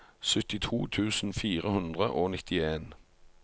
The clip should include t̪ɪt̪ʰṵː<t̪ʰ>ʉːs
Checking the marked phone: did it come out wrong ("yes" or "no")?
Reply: no